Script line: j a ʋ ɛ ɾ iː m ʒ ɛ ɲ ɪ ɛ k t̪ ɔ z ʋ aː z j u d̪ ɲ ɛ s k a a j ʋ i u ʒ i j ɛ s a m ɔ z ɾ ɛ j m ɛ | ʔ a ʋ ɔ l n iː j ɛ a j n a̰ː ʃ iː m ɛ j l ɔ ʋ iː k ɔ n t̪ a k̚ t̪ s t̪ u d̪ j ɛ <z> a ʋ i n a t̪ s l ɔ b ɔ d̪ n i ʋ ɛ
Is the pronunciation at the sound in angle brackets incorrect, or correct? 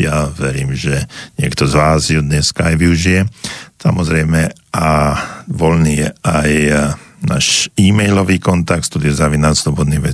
correct